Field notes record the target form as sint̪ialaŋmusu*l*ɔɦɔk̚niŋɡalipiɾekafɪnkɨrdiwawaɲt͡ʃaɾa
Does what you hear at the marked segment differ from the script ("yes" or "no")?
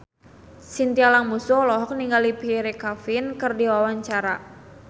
no